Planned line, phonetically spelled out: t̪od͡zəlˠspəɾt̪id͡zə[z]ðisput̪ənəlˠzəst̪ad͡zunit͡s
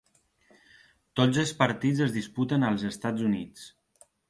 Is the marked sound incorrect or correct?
correct